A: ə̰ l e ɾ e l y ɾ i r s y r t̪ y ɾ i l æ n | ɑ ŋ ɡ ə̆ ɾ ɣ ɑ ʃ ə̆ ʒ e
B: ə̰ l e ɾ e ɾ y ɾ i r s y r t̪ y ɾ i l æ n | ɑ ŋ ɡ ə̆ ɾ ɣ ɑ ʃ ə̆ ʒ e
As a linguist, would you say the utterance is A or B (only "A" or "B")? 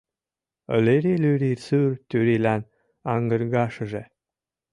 A